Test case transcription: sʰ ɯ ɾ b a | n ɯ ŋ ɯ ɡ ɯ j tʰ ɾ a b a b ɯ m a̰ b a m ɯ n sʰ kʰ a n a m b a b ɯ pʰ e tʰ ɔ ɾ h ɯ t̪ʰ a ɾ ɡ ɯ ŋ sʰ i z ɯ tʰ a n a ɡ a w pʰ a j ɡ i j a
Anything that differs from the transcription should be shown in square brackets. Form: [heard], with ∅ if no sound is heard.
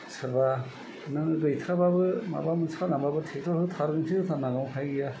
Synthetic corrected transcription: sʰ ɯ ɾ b a | n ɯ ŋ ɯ ɡ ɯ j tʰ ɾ a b a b ɯ m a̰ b a m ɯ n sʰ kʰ a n a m b a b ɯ [tʰ] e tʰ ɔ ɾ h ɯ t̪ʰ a ɾ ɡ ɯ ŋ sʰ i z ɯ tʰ a n a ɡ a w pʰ a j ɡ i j a

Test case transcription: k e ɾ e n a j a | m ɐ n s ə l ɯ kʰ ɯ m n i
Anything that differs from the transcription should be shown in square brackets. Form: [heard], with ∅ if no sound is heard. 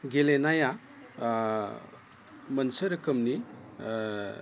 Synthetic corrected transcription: [ɡ] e [l] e n a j a | m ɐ n s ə [ɾ] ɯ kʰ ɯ m n i

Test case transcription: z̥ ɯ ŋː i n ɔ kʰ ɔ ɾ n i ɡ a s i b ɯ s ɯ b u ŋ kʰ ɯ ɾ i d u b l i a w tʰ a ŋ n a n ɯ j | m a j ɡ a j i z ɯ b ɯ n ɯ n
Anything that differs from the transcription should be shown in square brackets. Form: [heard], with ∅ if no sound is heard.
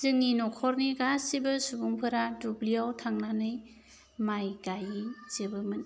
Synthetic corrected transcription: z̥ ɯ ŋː i n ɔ kʰ ɔ ɾ n i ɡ a s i b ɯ s [u] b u ŋ [pʰ] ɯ ɾ [a] d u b l i a w tʰ a ŋ n a n ɯ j | m a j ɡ a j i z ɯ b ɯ [m] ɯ n

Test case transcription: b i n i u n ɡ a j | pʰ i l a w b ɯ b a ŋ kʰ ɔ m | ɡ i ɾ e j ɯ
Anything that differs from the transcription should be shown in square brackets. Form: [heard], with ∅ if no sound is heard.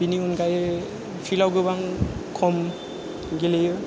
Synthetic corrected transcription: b i n i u n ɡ a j | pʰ i l a w [ɡ] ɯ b a ŋ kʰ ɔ m | ɡ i [l] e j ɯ

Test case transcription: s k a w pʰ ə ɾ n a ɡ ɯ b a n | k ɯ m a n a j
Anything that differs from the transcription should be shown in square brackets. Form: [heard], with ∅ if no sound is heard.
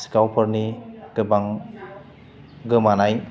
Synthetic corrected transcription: s k a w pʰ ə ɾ n [i] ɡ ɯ b a [ŋ] | [ɡ] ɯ m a n a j

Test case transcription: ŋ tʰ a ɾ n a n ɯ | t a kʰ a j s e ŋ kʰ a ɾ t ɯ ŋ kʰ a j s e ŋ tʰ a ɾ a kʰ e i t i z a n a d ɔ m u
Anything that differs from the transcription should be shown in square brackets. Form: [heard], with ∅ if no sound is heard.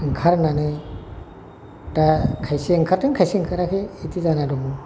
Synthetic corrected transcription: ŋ [kʰ] a ɾ n a n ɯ | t a kʰ a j s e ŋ kʰ a ɾ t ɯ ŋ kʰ a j s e ŋ [kʰ] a ɾ a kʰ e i t i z a n a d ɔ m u

